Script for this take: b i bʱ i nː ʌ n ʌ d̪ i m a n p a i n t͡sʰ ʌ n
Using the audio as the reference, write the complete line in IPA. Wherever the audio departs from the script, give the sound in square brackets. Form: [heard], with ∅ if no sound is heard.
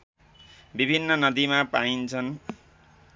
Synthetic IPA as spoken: b i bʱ i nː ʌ n ʌ d̪ i m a [∅] p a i n t͡sʰ ʌ n